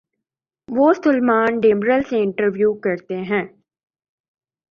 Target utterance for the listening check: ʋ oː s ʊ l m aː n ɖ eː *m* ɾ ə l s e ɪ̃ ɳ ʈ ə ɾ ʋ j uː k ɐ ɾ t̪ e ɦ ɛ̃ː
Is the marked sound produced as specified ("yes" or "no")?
yes